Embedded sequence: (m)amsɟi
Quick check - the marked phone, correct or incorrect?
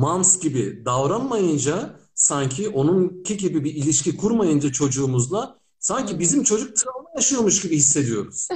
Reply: correct